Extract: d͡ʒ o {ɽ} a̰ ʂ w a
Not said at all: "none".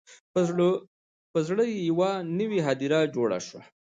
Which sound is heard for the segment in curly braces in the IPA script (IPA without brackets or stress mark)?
ɽ